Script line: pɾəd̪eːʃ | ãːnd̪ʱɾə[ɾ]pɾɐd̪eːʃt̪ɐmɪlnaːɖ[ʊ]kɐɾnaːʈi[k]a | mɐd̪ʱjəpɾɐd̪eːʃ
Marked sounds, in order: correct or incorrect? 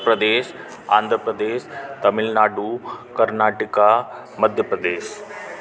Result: incorrect, incorrect, correct

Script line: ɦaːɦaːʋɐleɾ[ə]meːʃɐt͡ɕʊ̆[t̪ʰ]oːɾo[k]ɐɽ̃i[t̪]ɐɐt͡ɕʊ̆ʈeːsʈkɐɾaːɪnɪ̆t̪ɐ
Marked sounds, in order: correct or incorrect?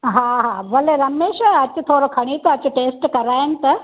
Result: incorrect, correct, incorrect, correct

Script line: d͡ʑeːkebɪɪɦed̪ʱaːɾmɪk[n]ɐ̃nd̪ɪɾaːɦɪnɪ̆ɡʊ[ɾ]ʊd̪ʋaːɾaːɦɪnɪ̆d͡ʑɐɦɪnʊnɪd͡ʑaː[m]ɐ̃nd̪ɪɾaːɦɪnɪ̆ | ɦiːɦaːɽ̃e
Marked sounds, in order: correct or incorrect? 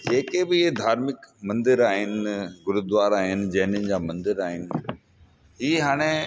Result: incorrect, correct, correct

